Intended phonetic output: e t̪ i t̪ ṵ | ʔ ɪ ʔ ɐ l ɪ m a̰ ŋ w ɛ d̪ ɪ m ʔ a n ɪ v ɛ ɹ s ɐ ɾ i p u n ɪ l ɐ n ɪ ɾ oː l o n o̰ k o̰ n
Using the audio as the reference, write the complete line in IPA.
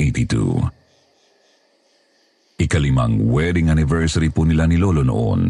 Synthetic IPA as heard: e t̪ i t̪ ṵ | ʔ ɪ k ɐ l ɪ m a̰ ŋ w ɛ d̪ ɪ ŋ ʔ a n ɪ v ɛ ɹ s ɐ ɾ i p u n ɪ l a n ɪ l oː l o n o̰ ʔ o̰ n